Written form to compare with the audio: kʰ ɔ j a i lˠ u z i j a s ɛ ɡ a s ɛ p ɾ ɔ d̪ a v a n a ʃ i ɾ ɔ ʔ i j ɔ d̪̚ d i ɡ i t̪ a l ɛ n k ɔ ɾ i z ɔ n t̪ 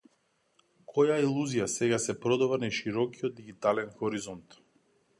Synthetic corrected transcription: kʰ ɔ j a i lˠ u z i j a s ɛ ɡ a s ɛ p ɾ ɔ d̪ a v a n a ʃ i ɾ ɔ k i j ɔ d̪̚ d i ɡ i t̪ a l ɛ n x ɔ ɾ i z ɔ n t̪